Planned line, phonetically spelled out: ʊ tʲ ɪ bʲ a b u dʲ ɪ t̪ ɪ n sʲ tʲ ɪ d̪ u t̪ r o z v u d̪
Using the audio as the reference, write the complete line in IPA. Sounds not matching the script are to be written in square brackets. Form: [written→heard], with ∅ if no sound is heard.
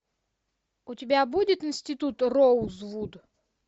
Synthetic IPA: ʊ tʲ ɪ bʲ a b u dʲ ɪ t̪ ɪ n sʲ tʲ ɪ [d̪→t̪] u t̪ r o z v u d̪